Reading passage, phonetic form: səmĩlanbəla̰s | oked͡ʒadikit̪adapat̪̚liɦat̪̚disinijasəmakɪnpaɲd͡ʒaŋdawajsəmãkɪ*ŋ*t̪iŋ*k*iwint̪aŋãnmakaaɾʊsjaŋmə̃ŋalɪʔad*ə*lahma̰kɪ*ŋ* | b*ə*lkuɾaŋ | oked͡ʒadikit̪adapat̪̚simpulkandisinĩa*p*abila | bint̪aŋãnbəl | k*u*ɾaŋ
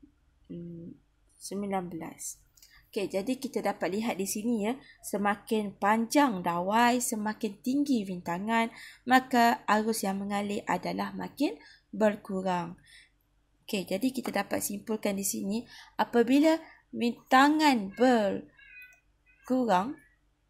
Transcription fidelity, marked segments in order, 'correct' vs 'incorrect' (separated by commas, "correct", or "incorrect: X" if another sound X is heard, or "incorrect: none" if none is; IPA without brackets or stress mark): incorrect: n, incorrect: ɡ, incorrect: a, incorrect: n, correct, correct, correct